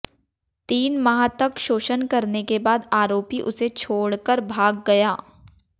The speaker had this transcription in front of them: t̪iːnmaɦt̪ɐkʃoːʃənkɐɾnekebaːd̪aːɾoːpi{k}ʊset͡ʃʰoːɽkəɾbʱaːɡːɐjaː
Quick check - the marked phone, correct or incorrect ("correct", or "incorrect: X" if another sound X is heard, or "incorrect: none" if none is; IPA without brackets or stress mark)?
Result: incorrect: ʔ